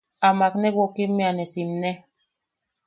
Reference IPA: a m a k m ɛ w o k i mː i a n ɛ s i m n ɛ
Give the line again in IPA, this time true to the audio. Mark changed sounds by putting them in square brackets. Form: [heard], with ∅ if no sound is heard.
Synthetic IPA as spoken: a m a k [n] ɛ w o k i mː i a n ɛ s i m n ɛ